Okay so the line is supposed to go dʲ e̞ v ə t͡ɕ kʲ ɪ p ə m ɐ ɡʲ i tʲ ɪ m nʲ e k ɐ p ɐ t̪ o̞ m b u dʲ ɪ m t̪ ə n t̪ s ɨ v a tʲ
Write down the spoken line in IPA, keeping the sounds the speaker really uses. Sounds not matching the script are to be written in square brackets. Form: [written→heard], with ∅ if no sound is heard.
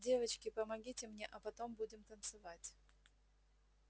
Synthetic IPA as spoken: dʲ e̞ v ə t͡ɕ kʲ ɪ p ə m ɐ ɡʲ i tʲ ɪ m nʲ e [k→ʔ] ɐ p ɐ t̪ o̞ m b u dʲ ɪ m t̪ ə n t̪ s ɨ v a tʲ